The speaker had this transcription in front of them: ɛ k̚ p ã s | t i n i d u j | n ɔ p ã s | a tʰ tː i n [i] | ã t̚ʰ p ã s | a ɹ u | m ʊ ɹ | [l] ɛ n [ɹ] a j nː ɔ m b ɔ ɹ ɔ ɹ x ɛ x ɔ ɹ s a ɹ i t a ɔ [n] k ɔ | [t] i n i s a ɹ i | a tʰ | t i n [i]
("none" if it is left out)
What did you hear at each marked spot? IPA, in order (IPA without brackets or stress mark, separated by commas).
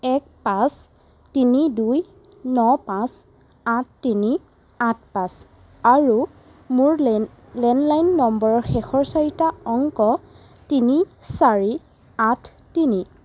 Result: i, l, l, ŋ, t, i